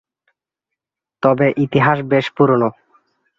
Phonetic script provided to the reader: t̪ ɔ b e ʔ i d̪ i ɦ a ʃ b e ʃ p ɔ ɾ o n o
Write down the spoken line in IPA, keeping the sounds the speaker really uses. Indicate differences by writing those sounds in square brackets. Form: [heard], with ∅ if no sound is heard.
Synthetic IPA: t̪ ɔ b e ʔ i [t̪] i ɦ a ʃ b e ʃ p [u] ɾ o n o

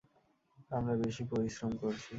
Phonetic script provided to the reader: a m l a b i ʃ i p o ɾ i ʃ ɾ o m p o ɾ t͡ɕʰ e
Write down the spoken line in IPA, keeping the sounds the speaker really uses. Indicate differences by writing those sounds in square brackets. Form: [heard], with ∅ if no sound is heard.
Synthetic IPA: a m [ɾ] a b [e] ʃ i p o ɾ i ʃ ɾ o m [k] o ɾ t͡ɕʰ [i]

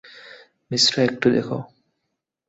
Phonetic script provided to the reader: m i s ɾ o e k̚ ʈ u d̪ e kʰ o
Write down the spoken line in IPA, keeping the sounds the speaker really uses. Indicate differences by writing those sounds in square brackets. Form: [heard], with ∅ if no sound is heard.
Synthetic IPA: m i s ɾ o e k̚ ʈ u d̪ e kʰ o

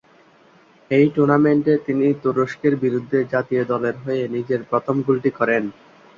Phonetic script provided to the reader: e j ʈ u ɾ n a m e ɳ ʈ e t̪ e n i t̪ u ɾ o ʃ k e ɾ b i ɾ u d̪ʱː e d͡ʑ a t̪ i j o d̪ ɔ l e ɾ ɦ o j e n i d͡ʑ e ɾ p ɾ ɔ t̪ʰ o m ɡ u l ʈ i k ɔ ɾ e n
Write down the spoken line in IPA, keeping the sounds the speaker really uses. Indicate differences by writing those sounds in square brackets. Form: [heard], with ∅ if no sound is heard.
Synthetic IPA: e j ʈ u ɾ n a m e ɳ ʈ e t̪ [i] n i t̪ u ɾ o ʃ k e ɾ b i ɾ u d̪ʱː e d͡ʑ a t̪ i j o d̪ ɔ l e ɾ ɦ o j e n i d͡ʑ e ɾ p ɾ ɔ t̪ʰ o m ɡ u l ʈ i k ɔ ɾ e n

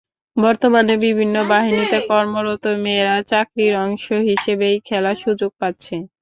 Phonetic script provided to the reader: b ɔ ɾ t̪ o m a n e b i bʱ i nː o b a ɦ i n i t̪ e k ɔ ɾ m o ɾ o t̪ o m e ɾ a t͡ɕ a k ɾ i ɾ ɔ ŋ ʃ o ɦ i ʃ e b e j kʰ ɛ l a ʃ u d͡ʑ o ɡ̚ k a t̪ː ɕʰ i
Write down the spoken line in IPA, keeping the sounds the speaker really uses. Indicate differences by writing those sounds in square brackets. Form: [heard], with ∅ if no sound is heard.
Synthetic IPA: b ɔ ɾ t̪ o m a n e b i bʱ i nː o b a ɦ i n i t̪ e k ɔ ɾ m o ɾ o t̪ o m e ɾ a t͡ɕ a k ɾ i ɾ ɔ ŋ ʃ o ɦ i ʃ e b e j kʰ ɛ l a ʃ u d͡ʑ o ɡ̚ [p] a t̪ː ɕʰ [e]

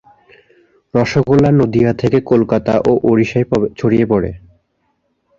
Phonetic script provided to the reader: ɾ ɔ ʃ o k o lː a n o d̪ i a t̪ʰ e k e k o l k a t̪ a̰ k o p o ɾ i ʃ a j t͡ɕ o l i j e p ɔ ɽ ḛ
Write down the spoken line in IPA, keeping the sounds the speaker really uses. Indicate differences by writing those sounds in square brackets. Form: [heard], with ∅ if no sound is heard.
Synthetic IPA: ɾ ɔ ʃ o k o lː a n o d̪ i a t̪ʰ e k e k o l k a t̪ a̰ [ʔ] o [ʔ] o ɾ i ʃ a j [t͡ɕʰ] o [ɽ] i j e p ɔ ɽ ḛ

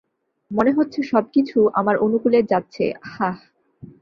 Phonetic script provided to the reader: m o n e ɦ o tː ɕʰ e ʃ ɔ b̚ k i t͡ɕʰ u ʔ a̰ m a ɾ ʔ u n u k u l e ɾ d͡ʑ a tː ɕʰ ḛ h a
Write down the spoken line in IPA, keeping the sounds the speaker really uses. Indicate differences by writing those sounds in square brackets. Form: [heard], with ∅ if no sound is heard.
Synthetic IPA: m o n e ɦ o tː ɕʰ e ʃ ɔ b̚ k i t͡ɕʰ u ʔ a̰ m a ɾ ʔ [o] n u k u l e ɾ d͡ʑ a tː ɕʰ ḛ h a

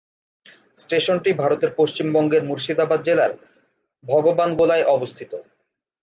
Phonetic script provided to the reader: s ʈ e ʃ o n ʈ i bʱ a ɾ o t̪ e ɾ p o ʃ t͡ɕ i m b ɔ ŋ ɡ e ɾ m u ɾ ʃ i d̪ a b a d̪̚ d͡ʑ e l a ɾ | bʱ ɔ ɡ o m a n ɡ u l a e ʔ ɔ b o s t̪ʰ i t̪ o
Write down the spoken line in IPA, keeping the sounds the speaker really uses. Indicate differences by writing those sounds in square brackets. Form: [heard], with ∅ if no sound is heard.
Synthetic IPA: s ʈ e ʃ o n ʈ i bʱ a ɾ o t̪ e ɾ p o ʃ t͡ɕ i m b ɔ ŋ ɡ e ɾ m u ɾ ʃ i d̪ a b a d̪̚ d͡ʑ e l a ɾ | bʱ ɔ ɡ o [b] a n ɡ [o] l a e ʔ ɔ b o s t̪ʰ i t̪ o

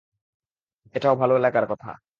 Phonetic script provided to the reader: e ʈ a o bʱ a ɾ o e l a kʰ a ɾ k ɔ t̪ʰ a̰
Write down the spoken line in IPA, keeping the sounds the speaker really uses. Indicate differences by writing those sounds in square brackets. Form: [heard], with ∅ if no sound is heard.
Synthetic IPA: e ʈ a o bʱ a [l] o e l a [k] a ɾ k ɔ t̪ʰ a̰

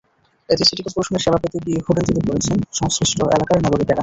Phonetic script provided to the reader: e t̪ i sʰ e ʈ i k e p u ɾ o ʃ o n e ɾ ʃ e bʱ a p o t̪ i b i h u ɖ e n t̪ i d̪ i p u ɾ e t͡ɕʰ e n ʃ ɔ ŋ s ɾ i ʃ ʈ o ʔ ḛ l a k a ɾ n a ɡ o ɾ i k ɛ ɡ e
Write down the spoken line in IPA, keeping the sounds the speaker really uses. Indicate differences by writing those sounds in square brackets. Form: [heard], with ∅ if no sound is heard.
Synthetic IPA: e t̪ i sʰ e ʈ i k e p u ɾ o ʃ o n e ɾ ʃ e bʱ a p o t̪ i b i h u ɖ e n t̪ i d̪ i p [o] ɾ e t͡ɕʰ e n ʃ ɔ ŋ s ɾ i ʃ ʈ o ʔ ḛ l a k a ɾ n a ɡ o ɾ i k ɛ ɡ [a]

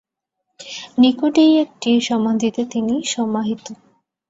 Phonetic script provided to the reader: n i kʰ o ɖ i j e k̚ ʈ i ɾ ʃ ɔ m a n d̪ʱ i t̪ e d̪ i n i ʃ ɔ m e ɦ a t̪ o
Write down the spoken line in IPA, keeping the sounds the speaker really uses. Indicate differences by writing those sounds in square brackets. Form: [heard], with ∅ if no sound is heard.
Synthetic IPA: n i [k] o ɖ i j e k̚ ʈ i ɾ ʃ ɔ m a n d̪ʱ i t̪ e [t̪] i n i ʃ ɔ m [a] ɦ [i] t̪ o

